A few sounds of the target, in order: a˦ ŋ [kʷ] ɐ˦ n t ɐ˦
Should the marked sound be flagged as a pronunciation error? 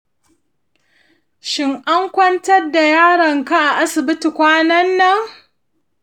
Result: no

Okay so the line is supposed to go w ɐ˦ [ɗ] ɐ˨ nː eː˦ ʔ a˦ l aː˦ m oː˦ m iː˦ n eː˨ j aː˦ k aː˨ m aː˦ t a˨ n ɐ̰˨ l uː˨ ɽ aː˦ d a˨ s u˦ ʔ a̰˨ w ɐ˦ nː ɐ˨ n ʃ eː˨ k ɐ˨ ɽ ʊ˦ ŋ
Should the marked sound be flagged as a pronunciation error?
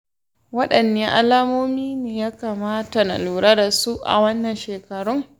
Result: no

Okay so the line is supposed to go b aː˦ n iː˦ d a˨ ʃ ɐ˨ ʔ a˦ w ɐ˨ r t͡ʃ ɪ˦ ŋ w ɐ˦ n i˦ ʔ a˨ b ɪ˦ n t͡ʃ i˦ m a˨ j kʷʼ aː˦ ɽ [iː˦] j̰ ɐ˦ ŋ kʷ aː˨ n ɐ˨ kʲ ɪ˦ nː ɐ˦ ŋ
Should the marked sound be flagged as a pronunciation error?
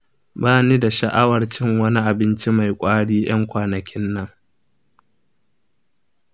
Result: no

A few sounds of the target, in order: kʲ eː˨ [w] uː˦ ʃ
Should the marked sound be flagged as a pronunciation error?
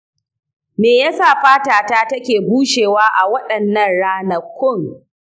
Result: yes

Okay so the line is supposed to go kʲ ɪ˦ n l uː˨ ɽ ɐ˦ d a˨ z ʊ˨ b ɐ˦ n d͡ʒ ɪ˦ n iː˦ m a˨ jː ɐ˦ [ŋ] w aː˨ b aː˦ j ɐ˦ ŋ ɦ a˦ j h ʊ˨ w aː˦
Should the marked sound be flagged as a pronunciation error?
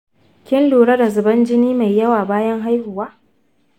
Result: yes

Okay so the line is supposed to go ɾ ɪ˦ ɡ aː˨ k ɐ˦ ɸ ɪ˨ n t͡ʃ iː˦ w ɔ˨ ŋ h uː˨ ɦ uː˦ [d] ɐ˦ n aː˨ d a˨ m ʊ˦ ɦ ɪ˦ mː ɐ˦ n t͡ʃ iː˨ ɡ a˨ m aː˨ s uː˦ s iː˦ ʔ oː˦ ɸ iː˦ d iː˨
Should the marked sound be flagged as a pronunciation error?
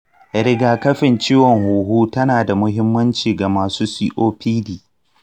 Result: yes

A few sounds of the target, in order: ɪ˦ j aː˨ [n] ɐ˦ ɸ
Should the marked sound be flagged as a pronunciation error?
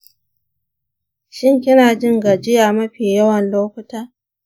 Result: yes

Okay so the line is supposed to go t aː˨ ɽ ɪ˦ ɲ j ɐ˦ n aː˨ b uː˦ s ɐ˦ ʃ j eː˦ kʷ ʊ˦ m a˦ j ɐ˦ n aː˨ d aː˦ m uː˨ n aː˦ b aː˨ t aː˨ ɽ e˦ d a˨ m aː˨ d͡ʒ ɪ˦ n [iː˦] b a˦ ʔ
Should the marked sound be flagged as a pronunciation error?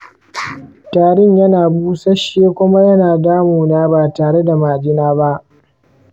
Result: yes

